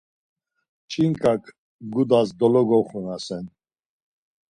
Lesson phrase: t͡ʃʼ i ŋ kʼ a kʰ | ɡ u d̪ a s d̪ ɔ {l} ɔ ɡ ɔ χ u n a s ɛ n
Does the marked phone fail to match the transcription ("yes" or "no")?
no